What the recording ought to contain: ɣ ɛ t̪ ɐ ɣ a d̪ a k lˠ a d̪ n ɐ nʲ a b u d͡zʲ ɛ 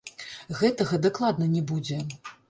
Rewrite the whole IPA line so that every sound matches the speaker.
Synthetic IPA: ɣ ɛ t̪ ɐ ɣ ɐ d̪ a k lˠ a d̪ n ɐ nʲ ɛ b u d͡zʲ ɛ